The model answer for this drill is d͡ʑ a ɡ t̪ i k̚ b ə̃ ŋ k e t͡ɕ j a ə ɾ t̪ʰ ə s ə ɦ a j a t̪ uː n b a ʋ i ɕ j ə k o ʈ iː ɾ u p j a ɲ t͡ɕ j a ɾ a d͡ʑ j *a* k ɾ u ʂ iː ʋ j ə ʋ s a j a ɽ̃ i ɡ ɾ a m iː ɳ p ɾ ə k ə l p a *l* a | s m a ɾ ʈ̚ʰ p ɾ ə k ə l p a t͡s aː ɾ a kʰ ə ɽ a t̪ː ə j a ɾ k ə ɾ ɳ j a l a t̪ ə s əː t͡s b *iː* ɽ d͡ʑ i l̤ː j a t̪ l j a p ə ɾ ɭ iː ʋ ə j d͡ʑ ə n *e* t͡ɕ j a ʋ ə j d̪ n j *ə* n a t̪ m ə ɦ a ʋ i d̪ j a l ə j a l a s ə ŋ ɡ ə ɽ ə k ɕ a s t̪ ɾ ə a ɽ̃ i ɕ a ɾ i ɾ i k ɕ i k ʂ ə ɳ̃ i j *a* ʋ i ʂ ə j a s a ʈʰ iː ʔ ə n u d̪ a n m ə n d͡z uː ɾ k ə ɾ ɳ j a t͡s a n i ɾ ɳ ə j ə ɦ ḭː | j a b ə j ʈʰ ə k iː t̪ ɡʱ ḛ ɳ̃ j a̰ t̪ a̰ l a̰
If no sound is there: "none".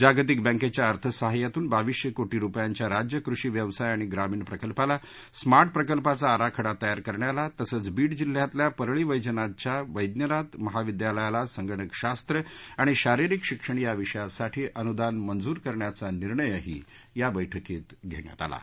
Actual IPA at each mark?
ə, l, iː, a, ə, a

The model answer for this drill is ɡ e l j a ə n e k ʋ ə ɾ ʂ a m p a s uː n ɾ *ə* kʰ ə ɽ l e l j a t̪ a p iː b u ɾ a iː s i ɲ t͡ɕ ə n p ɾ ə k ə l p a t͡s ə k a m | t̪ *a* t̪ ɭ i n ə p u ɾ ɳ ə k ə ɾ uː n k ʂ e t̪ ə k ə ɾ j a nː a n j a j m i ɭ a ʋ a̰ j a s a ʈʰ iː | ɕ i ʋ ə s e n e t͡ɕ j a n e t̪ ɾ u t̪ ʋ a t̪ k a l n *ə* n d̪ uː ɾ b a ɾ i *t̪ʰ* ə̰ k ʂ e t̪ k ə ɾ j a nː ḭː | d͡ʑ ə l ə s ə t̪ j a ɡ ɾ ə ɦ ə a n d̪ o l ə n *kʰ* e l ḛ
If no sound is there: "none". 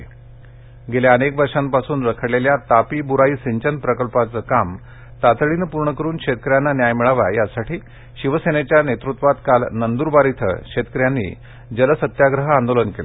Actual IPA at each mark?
ə, a, ə, t̪ʰ, k

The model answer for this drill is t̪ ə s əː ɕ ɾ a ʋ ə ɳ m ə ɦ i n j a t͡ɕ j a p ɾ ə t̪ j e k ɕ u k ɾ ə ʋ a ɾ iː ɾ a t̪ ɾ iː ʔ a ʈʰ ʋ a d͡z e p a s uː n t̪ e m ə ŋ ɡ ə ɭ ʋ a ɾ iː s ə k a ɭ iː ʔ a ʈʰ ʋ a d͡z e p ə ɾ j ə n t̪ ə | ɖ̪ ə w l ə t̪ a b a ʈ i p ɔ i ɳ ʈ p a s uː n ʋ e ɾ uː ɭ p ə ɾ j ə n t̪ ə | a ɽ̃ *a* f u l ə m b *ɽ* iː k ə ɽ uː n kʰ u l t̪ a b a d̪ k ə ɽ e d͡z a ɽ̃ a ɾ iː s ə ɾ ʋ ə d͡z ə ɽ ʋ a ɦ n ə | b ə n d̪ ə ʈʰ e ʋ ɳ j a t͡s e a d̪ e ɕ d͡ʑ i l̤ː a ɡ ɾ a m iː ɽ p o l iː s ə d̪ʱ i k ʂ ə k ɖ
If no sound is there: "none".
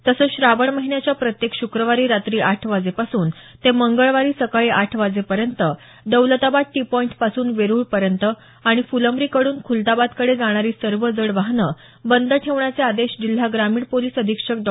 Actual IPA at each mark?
i, ɾ

